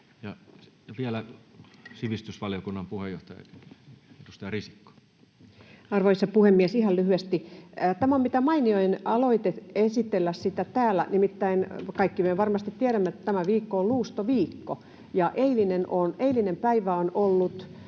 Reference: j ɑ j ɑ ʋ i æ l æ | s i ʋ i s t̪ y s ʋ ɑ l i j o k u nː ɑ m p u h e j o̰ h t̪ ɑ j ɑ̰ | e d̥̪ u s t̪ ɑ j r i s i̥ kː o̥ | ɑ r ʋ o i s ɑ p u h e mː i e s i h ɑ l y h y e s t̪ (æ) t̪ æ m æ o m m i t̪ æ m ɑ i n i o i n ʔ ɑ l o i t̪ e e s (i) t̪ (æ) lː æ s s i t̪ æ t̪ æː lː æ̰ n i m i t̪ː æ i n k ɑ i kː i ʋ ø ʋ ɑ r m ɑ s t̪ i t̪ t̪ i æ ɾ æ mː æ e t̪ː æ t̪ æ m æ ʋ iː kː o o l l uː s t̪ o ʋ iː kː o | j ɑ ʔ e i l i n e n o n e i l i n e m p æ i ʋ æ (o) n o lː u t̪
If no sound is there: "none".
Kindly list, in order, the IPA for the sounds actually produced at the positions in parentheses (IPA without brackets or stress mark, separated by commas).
i, i, e, o